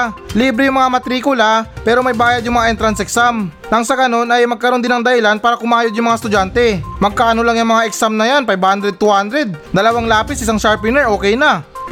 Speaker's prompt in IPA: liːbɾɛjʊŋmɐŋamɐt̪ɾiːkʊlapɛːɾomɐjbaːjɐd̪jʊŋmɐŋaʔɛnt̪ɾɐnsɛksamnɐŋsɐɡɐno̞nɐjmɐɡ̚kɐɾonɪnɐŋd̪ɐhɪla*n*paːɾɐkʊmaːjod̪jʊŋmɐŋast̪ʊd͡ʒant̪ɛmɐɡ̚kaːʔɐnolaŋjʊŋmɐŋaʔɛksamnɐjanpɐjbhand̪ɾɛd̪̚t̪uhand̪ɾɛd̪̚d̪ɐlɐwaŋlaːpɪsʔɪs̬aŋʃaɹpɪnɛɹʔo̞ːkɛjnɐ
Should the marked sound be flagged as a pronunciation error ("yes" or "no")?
no